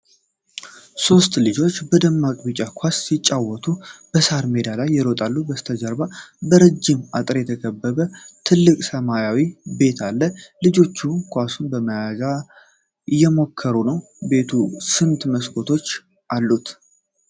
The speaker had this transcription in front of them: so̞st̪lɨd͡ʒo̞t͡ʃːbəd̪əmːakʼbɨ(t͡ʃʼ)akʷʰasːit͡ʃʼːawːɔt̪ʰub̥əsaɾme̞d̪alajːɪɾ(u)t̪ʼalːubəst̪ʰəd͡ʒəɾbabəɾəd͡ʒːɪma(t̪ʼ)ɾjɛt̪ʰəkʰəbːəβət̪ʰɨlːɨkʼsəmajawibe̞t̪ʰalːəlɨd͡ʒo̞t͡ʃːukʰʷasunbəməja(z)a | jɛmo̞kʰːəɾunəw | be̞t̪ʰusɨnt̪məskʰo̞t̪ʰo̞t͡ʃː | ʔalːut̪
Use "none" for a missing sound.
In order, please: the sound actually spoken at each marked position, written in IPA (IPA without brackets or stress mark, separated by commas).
t͡ʃʼ, o, t̪ʼ, z